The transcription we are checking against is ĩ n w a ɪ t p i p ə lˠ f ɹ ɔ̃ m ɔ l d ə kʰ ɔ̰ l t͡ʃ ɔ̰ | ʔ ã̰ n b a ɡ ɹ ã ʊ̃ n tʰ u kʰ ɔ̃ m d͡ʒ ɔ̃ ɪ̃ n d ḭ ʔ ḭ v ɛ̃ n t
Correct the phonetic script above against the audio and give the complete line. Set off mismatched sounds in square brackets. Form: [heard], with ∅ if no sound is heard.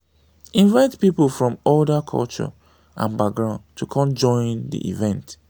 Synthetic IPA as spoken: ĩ n [v] a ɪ t p i p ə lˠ f ɹ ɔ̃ m ɔ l d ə kʰ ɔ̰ l t͡ʃ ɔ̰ | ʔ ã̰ n b a ɡ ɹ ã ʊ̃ n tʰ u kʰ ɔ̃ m d͡ʒ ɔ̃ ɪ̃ n d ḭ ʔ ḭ v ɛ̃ n t